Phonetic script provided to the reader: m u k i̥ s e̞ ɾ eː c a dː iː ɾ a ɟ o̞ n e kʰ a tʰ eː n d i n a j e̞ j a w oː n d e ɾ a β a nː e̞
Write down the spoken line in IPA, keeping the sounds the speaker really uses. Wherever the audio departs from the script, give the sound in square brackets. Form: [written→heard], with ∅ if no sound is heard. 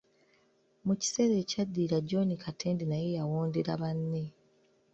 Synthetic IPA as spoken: m u [k→c] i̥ s e̞ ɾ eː c a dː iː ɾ a ɟ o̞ n [e→i] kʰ a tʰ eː n d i n a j e̞ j a w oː n d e ɾ a β a nː e̞